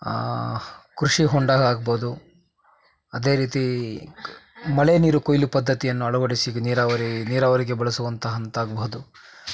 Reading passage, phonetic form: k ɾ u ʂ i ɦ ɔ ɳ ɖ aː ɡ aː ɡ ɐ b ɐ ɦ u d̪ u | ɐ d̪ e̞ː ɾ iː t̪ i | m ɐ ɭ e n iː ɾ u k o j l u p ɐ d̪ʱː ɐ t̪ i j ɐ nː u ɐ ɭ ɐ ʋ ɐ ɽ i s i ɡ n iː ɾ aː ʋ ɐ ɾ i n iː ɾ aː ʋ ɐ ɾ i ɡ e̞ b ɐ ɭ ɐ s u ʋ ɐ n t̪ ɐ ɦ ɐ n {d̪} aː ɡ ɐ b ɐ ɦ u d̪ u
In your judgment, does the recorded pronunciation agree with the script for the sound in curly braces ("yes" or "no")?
no